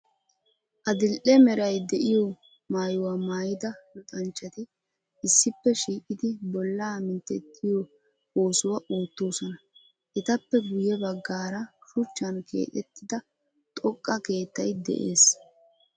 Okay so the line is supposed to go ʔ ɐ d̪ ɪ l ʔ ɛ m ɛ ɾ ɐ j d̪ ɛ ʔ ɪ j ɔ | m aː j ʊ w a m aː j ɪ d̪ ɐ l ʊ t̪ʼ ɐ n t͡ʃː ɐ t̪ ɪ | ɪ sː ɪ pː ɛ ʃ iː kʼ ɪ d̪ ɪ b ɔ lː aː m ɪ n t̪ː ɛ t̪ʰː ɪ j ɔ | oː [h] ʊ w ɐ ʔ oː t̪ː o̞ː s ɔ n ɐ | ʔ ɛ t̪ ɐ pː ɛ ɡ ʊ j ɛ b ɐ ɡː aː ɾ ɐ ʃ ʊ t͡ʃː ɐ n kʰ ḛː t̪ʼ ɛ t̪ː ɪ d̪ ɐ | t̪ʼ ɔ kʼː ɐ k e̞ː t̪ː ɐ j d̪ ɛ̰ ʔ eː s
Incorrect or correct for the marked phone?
incorrect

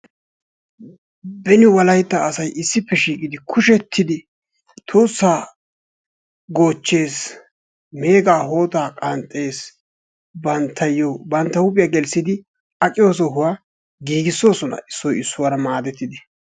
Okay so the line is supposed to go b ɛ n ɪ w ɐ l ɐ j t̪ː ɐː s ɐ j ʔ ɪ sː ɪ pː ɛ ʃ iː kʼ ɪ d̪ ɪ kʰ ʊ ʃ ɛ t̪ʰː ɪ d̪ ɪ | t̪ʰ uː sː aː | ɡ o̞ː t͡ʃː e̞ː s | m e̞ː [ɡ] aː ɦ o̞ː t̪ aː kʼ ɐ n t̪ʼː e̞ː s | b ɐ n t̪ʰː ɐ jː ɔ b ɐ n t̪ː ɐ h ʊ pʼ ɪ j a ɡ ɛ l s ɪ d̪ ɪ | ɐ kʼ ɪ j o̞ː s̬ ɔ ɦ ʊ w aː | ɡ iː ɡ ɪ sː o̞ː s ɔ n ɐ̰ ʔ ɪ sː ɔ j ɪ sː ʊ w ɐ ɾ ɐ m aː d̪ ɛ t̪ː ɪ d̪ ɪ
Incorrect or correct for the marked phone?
correct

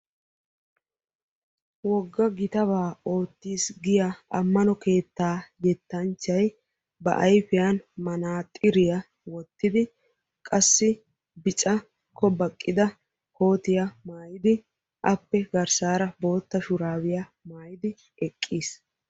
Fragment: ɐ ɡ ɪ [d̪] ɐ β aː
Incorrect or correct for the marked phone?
incorrect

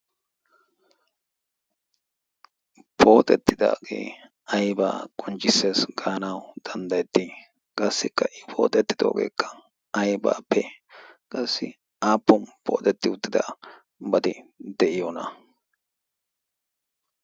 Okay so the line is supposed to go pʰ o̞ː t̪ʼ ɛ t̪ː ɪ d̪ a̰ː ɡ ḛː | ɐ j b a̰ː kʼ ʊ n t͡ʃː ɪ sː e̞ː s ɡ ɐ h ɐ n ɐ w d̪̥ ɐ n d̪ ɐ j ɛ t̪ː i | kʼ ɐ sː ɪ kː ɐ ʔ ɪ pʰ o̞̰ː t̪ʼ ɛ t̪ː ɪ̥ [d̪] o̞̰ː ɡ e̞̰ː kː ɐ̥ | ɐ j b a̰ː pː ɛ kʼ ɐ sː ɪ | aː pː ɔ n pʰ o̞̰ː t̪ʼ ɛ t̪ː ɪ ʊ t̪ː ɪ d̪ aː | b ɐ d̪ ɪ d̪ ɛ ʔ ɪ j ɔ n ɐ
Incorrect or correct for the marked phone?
correct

